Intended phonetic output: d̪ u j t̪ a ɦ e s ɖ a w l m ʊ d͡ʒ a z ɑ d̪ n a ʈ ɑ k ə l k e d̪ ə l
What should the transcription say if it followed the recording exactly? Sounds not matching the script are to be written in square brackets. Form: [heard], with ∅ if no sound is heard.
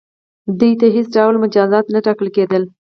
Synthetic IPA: d̪ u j t̪ a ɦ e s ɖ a w l m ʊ d͡ʒ [ɑ] z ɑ [t̪] n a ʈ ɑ k ə l k e d̪ ə l